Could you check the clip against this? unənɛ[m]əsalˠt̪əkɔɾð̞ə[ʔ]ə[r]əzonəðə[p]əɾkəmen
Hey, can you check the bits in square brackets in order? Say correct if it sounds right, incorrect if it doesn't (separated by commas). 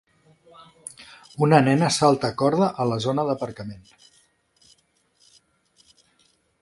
incorrect, correct, incorrect, correct